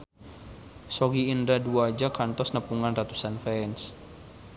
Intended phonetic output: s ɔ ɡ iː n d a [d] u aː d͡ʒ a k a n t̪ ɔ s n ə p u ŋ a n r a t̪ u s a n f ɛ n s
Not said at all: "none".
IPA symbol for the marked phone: d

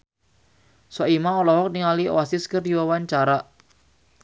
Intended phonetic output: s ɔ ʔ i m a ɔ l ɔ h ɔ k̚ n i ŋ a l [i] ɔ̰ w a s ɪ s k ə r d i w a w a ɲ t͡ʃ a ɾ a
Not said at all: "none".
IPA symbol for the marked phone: i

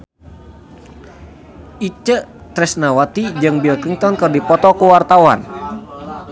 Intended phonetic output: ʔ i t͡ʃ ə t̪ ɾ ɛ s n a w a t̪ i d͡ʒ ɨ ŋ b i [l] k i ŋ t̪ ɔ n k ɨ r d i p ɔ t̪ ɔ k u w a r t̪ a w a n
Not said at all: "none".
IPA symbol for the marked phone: l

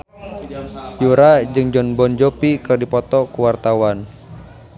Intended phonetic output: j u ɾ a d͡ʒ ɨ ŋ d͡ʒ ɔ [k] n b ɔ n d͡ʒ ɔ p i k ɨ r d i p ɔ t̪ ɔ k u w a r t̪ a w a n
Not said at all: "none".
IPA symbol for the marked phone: none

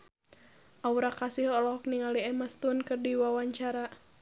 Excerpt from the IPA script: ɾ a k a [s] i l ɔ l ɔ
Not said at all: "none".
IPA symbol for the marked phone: s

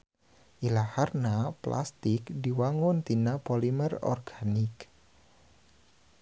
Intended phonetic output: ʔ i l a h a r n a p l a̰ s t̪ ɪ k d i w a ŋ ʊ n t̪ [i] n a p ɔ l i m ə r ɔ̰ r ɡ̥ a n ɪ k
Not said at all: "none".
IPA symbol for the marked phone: i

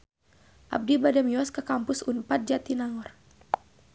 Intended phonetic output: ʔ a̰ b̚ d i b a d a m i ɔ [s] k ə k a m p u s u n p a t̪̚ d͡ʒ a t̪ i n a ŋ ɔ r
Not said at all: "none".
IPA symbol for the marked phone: s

